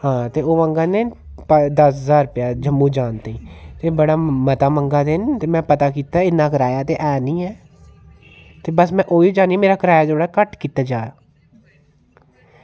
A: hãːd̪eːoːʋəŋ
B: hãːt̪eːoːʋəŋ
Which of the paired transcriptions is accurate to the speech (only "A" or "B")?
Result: B